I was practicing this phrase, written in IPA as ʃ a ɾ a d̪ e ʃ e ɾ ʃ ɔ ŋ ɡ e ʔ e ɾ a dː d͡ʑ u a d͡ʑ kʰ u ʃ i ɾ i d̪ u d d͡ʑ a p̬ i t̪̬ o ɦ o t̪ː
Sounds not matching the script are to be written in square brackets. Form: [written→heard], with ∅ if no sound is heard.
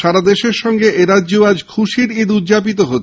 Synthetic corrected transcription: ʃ a ɾ a d̪ e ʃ e ɾ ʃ ɔ ŋ ɡ e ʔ e ɾ a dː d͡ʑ [u→o] a d͡ʑ kʰ u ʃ i ɾ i d̪ u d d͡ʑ a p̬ i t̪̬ o ɦ o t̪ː